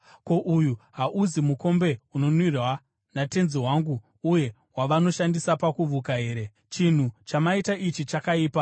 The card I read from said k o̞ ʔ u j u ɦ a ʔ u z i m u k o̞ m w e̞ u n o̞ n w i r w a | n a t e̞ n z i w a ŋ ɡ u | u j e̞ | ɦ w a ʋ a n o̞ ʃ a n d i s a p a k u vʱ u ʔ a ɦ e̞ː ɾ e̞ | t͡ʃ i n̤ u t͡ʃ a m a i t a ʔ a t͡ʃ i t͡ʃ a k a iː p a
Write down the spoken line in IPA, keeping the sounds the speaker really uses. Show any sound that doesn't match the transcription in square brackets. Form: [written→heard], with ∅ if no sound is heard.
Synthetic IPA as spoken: k o̞ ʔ u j u ɦ a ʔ u z i m u k o̞ m [w→b] e̞ u n o̞ n w i r w a | n a t e̞ n z i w a ŋ ɡ u | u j e̞ | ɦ w a ʋ a n o̞ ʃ a n d i s a p a k u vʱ u [ʔ→k] a ɦ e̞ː ɾ e̞ | t͡ʃ i n̤ u t͡ʃ a m a i t a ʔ [a→i] t͡ʃ i t͡ʃ a k a iː p a